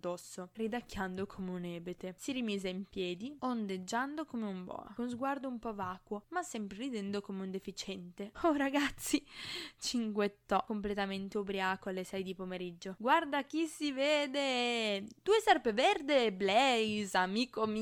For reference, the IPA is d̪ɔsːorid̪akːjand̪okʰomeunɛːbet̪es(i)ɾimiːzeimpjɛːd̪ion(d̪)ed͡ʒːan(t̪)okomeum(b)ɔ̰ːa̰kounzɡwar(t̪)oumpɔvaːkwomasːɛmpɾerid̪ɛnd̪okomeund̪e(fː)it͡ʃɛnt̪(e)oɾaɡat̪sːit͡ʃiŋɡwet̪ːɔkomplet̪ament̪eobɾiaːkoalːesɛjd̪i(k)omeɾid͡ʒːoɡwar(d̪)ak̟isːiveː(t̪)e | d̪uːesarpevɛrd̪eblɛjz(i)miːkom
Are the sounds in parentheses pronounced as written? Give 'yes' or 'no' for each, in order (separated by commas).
yes, yes, no, yes, no, no, yes, no, yes, no, no